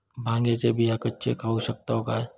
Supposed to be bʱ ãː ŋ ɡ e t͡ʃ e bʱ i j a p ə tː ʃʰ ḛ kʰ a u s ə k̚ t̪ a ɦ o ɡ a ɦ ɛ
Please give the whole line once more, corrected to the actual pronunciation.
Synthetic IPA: bʱ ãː ŋ ɡ e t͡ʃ e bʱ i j a k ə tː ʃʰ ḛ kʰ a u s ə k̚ t̪ a ɦ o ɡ a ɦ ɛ